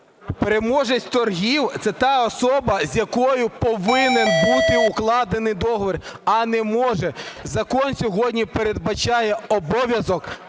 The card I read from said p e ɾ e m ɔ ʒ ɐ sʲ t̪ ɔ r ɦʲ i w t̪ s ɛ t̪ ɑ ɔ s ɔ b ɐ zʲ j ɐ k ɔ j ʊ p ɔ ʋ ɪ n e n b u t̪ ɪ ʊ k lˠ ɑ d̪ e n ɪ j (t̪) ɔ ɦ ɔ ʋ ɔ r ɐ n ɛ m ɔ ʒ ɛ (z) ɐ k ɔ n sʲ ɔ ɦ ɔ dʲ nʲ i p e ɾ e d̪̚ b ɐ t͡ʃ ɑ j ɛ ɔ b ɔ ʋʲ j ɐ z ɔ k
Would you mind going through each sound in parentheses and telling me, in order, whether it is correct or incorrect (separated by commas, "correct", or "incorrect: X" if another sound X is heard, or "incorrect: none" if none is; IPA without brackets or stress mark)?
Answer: incorrect: d̪, correct